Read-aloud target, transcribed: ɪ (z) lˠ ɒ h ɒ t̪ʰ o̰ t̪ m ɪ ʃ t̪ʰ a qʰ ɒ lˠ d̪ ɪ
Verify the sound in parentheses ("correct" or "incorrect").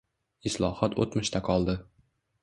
incorrect